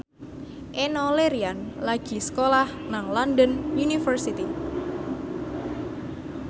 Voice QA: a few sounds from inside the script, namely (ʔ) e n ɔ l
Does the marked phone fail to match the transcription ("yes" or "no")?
no